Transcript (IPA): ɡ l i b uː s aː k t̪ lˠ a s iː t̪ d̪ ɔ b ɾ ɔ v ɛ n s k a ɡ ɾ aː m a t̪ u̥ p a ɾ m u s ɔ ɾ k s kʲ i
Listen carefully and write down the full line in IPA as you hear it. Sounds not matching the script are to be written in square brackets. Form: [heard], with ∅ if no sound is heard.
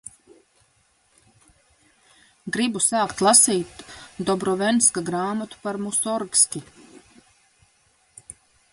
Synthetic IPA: ɡ [ɾ] i b [u] s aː k t̪ lˠ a s iː t̪ d̪ ɔ b ɾ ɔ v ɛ n s k a ɡ ɾ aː m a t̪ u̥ p a ɾ m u s ɔ ɾ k s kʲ i